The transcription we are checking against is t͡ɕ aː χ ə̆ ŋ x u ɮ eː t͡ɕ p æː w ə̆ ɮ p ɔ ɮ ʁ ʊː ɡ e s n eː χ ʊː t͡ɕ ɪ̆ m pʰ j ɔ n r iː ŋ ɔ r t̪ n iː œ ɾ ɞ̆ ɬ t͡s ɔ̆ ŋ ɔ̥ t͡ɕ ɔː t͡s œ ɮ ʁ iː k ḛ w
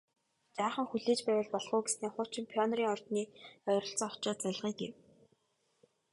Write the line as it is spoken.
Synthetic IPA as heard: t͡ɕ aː χ ə̆ ŋ x u ɮ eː t͡ɕ p æː w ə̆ ɮ p ɔ ɮ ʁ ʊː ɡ e s n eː χ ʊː t͡ɕ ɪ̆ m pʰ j ɔ n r iː ŋ ɔ r t̪ n iː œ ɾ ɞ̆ ɬ t͡s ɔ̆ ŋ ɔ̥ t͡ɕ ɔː t͡s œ ɮ ʁ iː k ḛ w